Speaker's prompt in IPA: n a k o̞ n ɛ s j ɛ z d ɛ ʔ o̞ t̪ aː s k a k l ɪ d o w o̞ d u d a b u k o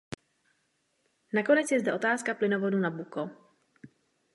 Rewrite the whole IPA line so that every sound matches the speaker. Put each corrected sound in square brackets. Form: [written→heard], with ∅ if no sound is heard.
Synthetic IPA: n a k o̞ n ɛ [s→t͡s] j ɛ z d ɛ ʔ o̞ t̪ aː s k a [k→p] l ɪ [d→n] o [w→v] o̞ d u [d→n] a b u k o